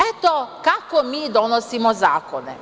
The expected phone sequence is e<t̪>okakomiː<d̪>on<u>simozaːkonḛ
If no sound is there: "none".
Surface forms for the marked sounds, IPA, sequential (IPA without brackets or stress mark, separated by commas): t̪, d̪, o